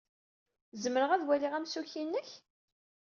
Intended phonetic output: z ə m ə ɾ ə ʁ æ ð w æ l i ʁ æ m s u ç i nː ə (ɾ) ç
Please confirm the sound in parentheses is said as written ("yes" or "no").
no